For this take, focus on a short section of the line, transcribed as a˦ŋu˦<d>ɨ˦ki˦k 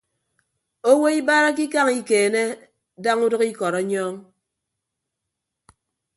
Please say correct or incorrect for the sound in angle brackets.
correct